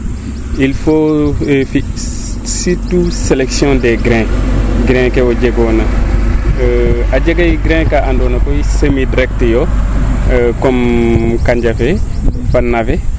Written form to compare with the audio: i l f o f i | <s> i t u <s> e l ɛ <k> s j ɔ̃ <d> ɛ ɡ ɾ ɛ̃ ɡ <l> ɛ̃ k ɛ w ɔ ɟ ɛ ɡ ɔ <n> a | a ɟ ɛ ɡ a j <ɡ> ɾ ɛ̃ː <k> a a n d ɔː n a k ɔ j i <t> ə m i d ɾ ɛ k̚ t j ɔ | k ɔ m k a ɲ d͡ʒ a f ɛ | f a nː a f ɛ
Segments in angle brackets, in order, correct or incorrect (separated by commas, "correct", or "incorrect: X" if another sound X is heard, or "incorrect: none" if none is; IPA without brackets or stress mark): correct, correct, correct, correct, incorrect: ɾ, correct, correct, correct, incorrect: s